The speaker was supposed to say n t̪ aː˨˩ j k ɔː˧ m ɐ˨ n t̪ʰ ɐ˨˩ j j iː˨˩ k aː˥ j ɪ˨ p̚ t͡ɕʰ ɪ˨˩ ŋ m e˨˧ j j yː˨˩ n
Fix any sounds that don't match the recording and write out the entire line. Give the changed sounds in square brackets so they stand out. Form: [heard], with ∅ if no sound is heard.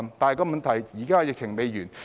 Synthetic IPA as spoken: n t̪ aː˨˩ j k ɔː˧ m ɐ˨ n t̪ʰ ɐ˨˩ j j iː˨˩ k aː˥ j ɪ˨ [k̚] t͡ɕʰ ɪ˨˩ ŋ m e˨˧ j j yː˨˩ n